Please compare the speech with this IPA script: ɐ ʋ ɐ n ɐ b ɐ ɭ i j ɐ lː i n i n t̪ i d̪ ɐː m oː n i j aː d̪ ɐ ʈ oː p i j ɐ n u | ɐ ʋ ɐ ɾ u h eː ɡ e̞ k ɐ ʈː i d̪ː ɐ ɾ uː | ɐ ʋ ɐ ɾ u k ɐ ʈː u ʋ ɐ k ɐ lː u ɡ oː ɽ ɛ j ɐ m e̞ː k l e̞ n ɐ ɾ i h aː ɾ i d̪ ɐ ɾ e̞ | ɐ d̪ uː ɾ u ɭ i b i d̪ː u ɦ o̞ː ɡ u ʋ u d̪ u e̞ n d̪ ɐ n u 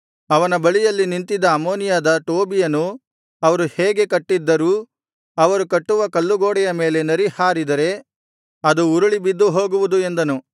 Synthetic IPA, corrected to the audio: ɐ ʋ ɐ n ɐ b ɐ ɭ i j ɐ lː i n i n t̪ i d̪ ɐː m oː n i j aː d̪ ɐ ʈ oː b i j ɐ n u | ɐ ʋ ɐ ɾ u h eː ɡ e̞ k ɐ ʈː i d̪ː ɐ ɾ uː | ɐ ʋ ɐ ɾ u k ɐ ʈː u ʋ ɐ k ɐ lː u ɡ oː ɽ ɛ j ɐ m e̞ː l e̞ n ɐ ɾ i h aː ɾ i d̪ ɐ ɾ e̞ | ɐ d̪ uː ɾ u ɭ i b i d̪ː u ɦ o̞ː ɡ u ʋ u d̪ u e̞ n d̪ ɐ n u